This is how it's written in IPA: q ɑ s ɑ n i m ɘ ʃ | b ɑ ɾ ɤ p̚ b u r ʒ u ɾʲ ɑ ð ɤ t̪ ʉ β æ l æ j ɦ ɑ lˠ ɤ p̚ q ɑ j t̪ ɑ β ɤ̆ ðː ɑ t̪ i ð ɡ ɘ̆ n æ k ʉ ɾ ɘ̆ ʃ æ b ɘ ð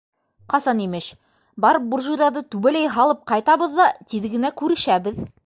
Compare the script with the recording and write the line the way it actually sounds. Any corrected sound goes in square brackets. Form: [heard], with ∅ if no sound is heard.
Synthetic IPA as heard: q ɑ s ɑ n i m ɘ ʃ | b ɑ ɾ ɤ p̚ b u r ʒ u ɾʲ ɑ ð ɤ t̪ ʉ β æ l æ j ɦ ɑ lˠ ɤ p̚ q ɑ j t̪ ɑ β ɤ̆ ðː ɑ t̪ i ð ɡ ɘ̆ n æ k ʉ ɾ ɘ̆ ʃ æ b ɘ ð